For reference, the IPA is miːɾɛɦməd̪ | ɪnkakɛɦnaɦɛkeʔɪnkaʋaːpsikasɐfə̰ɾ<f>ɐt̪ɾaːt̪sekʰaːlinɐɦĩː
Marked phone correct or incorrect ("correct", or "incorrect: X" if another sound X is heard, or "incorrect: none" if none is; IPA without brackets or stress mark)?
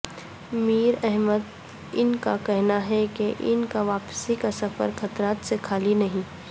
incorrect: x